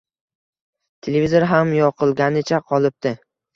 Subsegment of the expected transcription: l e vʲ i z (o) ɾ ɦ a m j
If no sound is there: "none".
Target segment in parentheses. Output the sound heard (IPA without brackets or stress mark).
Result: o